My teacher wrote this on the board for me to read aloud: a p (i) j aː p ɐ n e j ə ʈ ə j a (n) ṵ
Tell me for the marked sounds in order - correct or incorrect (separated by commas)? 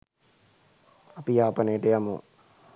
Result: correct, incorrect